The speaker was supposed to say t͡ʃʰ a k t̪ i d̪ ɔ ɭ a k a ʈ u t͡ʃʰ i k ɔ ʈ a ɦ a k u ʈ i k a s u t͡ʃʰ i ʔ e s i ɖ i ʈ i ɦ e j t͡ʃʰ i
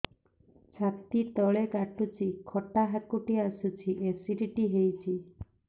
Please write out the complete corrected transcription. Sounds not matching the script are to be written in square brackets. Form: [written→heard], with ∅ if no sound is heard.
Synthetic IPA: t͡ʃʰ a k t̪ i [d̪→t̪] ɔ ɭ [a→e] k a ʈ u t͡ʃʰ i [k→kʰ] ɔ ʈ a ɦ a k u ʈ i [k→∅] a s u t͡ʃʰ i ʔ e s i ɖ i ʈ i ɦ e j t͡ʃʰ i